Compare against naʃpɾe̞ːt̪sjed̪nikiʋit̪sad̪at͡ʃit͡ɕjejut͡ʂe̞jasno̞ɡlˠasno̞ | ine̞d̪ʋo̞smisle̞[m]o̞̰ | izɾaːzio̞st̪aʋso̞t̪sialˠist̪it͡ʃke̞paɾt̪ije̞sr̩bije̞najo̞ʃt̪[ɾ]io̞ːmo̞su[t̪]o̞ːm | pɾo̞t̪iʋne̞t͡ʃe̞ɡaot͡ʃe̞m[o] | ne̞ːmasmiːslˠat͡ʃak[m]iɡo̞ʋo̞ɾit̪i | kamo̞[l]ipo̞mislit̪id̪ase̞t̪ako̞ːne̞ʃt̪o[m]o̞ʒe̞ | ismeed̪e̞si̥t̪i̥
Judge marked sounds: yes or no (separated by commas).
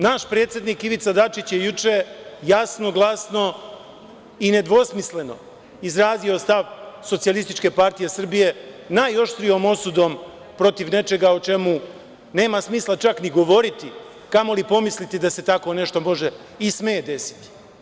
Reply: no, yes, no, no, no, yes, yes